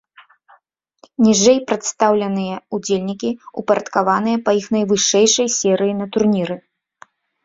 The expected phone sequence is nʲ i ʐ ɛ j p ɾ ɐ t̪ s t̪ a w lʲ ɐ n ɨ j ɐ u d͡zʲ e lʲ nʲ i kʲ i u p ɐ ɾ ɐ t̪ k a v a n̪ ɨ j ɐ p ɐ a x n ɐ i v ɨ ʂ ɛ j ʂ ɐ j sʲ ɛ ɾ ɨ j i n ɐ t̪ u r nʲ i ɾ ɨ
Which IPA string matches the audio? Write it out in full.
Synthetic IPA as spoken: nʲ i ʐ ɛ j p ɾ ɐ t̪ s t̪ a w lʲ ɐ n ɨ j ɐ u d͡zʲ e lʲ nʲ i kʲ i u p ɐ ɾ ɐ t̪ k a v a n̪ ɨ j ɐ p ɐ i x n ɐ j v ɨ ʂ ɛ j ʂ ɐ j sʲ ɛ ɾ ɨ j i n ɐ t̪ u r nʲ i ɾ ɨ